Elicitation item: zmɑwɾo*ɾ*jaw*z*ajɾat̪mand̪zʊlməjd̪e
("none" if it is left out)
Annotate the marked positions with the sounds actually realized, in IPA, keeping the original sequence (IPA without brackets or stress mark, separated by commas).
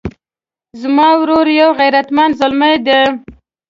ɾ, ɣ